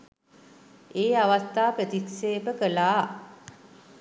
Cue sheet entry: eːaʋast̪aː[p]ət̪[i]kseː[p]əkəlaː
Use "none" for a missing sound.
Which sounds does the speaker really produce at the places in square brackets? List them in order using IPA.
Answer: p, i, p

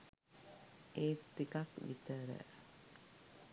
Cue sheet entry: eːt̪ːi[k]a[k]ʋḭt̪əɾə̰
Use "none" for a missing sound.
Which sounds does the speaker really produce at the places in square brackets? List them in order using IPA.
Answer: k, k

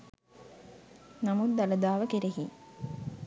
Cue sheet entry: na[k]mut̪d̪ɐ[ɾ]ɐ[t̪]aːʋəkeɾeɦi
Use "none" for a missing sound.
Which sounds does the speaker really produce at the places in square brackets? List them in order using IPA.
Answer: none, l, d̪

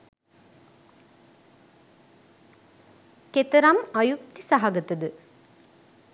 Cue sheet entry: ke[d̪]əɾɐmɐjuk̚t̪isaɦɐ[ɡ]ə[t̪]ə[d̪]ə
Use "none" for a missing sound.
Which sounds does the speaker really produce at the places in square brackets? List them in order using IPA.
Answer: t̪, ɡ, t̪, d̪

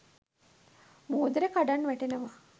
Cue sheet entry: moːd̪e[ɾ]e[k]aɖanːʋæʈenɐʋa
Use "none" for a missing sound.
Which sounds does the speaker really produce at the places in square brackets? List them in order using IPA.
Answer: ɾ, k

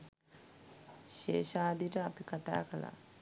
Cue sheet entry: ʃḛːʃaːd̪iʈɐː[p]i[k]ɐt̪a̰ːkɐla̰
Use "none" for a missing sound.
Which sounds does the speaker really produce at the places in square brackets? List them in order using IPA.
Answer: p, k

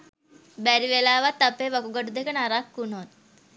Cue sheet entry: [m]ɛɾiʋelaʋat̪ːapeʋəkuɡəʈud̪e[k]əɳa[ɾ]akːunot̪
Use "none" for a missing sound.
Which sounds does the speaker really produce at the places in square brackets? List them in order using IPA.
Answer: b, k, ɾ

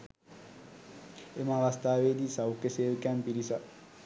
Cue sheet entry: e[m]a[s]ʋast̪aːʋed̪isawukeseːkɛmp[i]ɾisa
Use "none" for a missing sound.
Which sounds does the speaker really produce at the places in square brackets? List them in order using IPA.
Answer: m, none, i

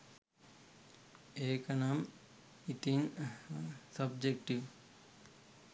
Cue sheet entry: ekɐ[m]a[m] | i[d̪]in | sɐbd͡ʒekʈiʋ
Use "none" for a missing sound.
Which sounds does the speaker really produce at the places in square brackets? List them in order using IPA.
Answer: n, m, t̪

